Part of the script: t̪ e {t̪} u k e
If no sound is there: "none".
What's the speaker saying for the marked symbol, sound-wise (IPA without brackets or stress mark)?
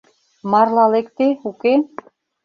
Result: none